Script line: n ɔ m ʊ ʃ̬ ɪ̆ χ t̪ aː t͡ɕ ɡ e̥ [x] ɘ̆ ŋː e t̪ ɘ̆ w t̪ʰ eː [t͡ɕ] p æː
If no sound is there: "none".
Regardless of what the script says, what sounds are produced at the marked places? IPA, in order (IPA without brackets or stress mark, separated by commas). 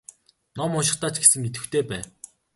s, none